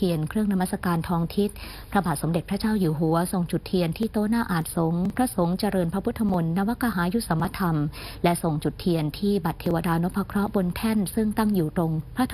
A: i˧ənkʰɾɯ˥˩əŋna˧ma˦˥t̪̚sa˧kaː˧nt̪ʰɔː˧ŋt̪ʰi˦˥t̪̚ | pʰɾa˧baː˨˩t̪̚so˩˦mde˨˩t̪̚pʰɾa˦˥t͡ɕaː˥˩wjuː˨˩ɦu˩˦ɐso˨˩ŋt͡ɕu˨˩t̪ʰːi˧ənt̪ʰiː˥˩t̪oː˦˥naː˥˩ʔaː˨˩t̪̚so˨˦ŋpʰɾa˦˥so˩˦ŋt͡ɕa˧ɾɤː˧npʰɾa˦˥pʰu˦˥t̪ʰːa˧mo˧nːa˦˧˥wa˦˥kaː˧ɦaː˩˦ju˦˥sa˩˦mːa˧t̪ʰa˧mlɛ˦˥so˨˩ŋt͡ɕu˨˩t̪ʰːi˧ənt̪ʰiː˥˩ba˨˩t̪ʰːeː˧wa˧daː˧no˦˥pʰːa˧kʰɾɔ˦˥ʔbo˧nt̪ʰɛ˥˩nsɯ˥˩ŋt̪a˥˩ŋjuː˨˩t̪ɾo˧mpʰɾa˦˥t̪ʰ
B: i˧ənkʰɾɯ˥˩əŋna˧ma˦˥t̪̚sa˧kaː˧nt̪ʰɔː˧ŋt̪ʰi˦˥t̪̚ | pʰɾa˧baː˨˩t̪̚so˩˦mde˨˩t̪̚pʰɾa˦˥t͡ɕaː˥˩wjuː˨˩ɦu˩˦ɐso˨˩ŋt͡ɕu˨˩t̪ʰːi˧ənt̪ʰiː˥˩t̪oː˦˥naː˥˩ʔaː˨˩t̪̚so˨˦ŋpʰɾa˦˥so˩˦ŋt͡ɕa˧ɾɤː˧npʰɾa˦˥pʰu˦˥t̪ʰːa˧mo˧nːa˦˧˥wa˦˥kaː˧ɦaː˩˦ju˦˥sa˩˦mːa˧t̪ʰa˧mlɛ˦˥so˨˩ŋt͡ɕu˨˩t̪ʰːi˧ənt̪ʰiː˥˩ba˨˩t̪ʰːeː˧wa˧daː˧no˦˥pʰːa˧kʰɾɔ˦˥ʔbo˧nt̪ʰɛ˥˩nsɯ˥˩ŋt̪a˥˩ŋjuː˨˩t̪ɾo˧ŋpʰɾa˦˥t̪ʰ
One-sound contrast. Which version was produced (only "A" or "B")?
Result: B